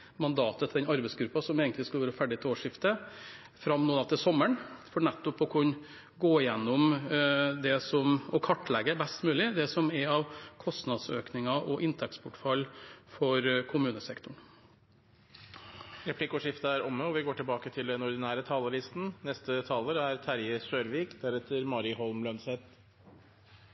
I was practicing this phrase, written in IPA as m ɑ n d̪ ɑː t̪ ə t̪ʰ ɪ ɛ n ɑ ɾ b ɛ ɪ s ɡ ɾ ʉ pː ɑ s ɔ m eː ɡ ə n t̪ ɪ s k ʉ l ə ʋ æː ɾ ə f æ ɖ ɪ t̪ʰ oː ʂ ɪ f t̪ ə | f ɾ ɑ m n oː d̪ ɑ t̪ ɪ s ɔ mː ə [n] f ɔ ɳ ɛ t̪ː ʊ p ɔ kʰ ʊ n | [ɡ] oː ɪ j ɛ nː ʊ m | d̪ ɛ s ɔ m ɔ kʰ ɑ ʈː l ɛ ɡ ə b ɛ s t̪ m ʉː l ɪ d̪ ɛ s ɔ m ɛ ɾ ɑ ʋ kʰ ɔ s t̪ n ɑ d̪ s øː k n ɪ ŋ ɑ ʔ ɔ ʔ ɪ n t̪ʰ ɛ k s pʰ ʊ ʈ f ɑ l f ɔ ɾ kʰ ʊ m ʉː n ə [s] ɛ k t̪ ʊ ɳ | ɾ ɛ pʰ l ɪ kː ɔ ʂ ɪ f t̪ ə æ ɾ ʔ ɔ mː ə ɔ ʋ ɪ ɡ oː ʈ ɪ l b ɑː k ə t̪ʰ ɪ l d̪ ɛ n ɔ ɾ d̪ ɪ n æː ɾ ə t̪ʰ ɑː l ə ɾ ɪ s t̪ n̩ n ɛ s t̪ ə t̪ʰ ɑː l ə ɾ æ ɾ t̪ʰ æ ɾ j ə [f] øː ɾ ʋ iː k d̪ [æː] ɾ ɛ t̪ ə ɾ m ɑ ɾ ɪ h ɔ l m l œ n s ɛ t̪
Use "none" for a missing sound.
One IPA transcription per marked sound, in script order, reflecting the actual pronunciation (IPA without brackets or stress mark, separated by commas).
ɳ, ɡ, s, s, æ